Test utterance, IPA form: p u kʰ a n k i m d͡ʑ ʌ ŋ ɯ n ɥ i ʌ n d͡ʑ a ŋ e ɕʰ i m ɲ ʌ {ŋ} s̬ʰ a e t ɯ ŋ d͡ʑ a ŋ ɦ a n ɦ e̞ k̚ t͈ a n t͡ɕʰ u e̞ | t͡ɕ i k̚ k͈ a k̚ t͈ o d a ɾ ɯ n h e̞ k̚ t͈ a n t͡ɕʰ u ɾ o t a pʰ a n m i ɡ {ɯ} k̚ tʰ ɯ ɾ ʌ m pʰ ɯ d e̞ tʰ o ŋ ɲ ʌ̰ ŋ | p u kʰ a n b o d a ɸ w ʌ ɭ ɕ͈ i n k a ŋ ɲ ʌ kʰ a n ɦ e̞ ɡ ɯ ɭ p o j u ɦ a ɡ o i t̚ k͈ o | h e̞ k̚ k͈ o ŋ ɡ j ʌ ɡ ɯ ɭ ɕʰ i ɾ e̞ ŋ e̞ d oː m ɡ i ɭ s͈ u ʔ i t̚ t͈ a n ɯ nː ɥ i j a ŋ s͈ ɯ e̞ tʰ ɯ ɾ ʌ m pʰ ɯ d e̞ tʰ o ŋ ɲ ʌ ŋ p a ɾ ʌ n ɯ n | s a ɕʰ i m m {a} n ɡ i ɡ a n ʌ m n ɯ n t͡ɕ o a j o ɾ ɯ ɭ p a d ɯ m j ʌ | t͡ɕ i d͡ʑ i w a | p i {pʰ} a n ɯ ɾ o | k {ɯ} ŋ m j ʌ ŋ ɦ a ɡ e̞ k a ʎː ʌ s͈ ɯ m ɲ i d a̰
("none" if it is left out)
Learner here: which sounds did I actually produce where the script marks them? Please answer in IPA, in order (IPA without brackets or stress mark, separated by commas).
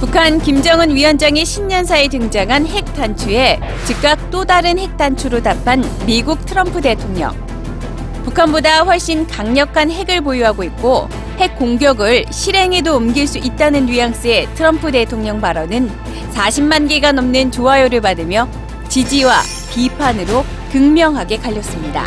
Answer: n, u, a, pʰ, ɯ